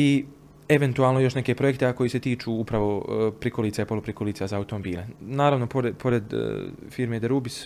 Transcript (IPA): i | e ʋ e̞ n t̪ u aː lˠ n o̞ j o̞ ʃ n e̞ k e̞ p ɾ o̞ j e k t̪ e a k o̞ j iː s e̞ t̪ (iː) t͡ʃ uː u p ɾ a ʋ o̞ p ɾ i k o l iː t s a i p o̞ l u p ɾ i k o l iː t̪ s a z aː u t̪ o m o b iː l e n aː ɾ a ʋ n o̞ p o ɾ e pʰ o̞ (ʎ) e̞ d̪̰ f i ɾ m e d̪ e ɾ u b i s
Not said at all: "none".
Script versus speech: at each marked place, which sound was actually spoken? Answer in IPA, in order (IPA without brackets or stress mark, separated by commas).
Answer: iː, ɾ